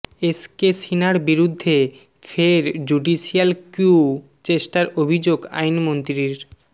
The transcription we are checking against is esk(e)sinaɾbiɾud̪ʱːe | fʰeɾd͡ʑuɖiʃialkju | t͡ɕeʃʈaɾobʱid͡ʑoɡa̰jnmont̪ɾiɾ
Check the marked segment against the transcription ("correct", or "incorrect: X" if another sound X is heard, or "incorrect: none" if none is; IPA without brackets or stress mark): correct